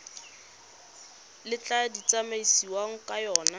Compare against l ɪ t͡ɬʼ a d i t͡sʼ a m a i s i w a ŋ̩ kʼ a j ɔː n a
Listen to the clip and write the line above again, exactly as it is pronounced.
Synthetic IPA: l ɪ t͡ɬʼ a d i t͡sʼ a m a i s i w a ŋ̩ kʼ a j ɔː n a